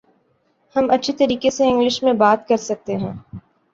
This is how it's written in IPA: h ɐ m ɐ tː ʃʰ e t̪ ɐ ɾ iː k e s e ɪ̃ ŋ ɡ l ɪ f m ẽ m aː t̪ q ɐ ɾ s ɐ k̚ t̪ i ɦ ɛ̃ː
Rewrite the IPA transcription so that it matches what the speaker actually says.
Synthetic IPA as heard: h ɐ m ɐ tː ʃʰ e t̪ ɐ ɾ iː k e s e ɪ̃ ŋ ɡ l ɪ ʃ m ẽ b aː t̪ k ɐ ɾ s ɐ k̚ t̪ e ɦ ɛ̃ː